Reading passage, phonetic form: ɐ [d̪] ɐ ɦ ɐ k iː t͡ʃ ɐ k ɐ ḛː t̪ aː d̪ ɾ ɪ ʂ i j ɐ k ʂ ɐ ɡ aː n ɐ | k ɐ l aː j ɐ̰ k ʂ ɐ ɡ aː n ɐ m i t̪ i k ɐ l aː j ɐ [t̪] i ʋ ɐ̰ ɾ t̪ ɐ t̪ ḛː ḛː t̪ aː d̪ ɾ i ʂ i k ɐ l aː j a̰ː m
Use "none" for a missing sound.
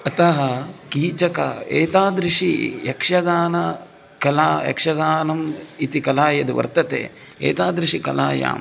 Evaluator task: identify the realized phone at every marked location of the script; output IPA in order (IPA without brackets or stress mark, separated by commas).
t̪, d̪